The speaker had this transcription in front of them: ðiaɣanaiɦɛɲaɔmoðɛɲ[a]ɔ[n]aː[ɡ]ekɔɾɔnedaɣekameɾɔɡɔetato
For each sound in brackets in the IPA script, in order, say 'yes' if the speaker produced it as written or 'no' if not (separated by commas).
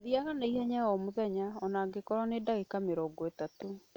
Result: yes, yes, yes